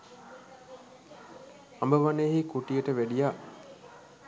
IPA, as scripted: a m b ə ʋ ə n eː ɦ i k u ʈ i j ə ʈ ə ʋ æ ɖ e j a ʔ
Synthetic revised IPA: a m b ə ʋ a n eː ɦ i k u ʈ i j ə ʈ ə ʋ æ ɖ i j a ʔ